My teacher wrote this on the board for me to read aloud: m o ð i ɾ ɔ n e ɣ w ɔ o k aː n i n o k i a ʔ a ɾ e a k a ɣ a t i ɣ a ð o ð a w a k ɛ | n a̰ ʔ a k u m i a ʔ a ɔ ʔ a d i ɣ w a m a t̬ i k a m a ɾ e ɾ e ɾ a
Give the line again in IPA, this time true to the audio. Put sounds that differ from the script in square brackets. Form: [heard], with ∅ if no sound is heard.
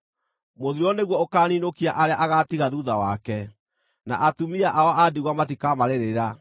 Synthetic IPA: m o ð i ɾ ɔ n e ɣ w ɔ o k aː n i n o k i a ʔ a ɾ e a [ʔ] a ɣ a t i ɣ a ð [u] ð a w a k ɛ | n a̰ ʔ a [t] u m i a ʔ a ɔ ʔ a d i ɣ w a m a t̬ i k a m a ɾ e ɾ e ɾ a

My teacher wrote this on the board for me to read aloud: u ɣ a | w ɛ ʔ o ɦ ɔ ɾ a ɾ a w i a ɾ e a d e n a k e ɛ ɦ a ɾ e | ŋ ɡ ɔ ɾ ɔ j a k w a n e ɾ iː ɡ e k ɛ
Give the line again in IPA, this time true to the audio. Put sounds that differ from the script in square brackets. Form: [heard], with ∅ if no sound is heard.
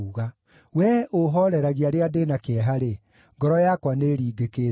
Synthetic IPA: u ɣ a | w ɛ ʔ o ɦ ɔ ɾ [ɛ] ɾ a [ɣ] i a ɾ e a d e n a k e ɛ ɦ a ɾ e | ŋ ɡ ɔ ɾ ɔ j a k w a n e ɾ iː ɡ e k [e]

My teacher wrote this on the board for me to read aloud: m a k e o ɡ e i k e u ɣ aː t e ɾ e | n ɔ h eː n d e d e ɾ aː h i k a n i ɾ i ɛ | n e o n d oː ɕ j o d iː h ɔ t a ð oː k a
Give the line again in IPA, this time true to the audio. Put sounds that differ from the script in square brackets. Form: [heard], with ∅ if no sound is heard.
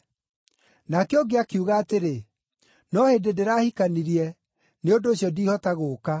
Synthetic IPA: [n] a k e o ɡ e [a] k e u ɣ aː t e ɾ e | n ɔ h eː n d e d e ɾ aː h i k a n i ɾ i ɛ | n e o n d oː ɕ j [ɔ] d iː h ɔ t a [ɣ] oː k a

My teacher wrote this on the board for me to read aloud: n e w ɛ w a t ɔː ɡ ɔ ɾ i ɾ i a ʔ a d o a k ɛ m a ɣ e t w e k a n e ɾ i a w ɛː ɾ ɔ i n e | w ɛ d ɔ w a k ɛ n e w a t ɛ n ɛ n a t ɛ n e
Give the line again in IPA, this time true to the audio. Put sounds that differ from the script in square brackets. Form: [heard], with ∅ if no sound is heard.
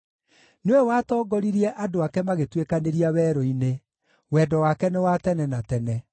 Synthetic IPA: n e w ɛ w a t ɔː ɡ ɔ ɾ i ɾ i [ɛ] ʔ a d o a k ɛ m a ɣ e t w e k a n e ɾ i a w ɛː ɾ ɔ i n e | w ɛ d ɔ w a k ɛ n e w a t ɛ n ɛ n a t ɛ n [ɛ]

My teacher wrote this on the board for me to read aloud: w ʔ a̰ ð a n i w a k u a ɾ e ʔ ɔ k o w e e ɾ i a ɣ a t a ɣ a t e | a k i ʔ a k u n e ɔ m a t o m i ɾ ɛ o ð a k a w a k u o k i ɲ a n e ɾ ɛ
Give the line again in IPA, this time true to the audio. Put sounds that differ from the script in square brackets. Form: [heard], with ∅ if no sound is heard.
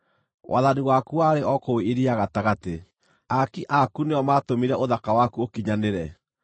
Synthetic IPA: w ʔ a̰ ð a n i w a k u a ɾ e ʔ ɔ k o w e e ɾ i a ɣ a t a ɣ a t e | a k i ʔ a k u n e ɔ m a t o m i ɾ ɛ o ð a k a w a k u o k i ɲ a n e ɾ ɛ

